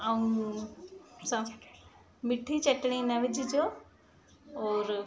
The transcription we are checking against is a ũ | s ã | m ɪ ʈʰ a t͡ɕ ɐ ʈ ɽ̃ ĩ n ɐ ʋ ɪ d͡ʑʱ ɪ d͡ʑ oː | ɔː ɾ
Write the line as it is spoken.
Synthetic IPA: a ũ | s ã | m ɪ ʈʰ i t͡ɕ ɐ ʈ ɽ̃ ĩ n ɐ ʋ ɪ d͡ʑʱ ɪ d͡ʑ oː | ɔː ɾ